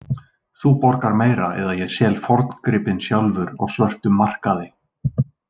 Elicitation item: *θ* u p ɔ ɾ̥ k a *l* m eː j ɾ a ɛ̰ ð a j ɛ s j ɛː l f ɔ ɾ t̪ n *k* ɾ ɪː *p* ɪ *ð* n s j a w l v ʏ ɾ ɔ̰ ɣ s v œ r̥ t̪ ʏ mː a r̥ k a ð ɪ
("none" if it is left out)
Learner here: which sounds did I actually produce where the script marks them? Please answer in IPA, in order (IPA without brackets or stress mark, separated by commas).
θ, ɾ, k, p, none